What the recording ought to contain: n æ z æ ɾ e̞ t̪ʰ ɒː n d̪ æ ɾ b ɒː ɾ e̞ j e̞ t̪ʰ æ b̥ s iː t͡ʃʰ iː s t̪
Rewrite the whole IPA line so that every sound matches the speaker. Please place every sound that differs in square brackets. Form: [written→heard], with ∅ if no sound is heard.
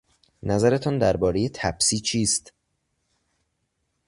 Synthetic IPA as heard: n æ z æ ɾ e̞ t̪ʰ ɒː n d̪ æ ɾ b ɒː ɾ e̞ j e̞ t̪ʰ æ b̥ s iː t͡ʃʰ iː s t̪

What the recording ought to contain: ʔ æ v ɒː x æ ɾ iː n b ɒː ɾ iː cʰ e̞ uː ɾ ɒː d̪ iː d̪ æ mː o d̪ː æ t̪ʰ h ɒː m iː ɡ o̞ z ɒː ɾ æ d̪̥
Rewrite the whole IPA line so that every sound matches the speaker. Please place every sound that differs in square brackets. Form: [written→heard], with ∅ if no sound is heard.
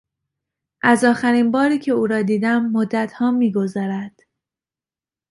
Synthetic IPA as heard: ʔ æ [v→z] ɒː x æ ɾ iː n b ɒː ɾ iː cʰ e̞ uː ɾ ɒː d̪ iː d̪ æ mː o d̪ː æ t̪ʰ h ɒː m iː ɡ o̞ z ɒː ɾ æ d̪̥

